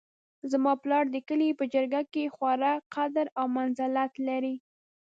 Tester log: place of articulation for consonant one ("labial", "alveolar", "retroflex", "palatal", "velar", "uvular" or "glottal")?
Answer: alveolar